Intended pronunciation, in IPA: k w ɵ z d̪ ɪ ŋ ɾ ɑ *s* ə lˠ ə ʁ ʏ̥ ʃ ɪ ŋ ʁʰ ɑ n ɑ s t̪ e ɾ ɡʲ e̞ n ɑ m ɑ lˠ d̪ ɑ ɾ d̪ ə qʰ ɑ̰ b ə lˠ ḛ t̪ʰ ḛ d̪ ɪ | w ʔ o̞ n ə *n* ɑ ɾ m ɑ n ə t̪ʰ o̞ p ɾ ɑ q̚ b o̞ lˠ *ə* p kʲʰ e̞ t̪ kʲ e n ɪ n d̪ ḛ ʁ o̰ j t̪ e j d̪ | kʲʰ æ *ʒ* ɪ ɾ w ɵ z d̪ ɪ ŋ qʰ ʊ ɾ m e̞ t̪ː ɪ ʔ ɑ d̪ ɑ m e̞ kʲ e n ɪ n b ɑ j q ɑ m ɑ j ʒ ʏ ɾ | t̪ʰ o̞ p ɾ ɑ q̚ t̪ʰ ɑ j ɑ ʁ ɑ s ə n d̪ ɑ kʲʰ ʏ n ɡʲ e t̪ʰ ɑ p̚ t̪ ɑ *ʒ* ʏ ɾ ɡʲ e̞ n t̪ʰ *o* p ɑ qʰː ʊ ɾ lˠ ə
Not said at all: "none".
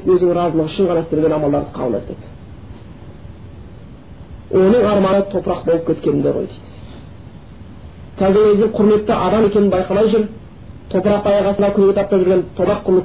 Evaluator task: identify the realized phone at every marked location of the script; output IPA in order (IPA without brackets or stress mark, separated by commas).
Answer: z, ɴ, ə, z, ʒ, o